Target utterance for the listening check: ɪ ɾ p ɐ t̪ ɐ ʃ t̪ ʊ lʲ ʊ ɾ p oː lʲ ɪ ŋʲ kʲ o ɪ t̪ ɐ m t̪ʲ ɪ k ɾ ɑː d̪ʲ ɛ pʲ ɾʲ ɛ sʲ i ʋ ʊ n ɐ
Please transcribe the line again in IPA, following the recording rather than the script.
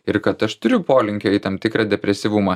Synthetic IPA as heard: ɪ ɾ k ɐ t̪ ɐ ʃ t̪ ʊ ɾʲ ʊ p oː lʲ ɪ ŋʲ kʲ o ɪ t̪ ɐ m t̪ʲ ɪ k ɾ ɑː d̪ʲ ɛ pʲ ɾʲ ɛ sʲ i ʋ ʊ m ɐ